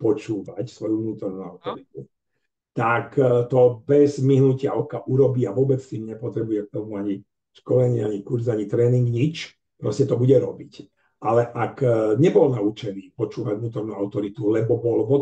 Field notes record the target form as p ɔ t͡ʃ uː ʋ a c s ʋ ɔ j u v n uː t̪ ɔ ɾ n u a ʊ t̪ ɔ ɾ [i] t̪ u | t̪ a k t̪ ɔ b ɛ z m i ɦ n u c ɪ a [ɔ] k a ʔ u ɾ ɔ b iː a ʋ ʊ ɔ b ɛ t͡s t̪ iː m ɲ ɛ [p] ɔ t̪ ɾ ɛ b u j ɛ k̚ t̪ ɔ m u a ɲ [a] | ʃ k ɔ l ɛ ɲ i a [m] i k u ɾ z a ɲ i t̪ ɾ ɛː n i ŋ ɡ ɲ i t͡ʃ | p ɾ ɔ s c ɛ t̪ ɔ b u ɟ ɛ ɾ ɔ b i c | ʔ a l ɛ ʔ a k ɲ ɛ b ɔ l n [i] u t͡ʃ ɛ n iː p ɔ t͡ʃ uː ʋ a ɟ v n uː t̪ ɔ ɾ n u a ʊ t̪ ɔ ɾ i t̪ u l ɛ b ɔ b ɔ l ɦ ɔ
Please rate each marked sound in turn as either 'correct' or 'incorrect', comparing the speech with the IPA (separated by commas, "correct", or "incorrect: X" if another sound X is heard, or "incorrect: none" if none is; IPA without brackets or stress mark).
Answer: correct, correct, correct, incorrect: i, incorrect: ɲ, incorrect: a